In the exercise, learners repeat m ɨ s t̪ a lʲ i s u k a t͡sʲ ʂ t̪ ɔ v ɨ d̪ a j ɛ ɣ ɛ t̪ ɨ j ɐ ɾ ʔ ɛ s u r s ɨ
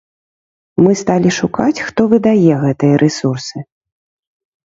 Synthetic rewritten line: m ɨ s t̪ a lʲ i ʂ u k a t͡sʲ x t̪ ɔ v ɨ d̪ a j ɛ ɣ ɛ t̪ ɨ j ɐ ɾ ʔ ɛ s u r s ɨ